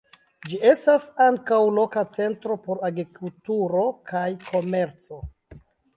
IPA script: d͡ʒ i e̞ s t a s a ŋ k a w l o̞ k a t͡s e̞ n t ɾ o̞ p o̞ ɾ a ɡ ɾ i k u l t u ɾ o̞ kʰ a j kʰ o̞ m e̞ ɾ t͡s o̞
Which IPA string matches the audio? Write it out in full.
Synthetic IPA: d͡ʒ i e̞ s t a s a ŋ k a w l o̞ k a t͡s e̞ n t ɾ o̞ p o̞ ɾ a ɡ ɾ i k u l t u ɾ o̞ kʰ a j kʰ o̞ m e̞ ɾ t͡s o̞